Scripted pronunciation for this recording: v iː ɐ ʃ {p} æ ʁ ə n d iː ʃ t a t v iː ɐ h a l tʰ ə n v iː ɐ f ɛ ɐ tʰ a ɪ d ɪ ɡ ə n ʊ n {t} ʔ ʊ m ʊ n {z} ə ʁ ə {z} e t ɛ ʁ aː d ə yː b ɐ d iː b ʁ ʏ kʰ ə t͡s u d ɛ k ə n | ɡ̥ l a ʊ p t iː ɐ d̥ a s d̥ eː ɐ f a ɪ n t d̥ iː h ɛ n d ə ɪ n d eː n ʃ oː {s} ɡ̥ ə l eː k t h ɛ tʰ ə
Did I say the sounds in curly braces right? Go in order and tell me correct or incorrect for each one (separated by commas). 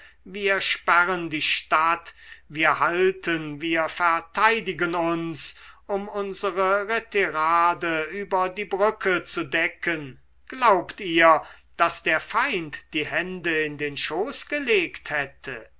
correct, incorrect, correct, incorrect, correct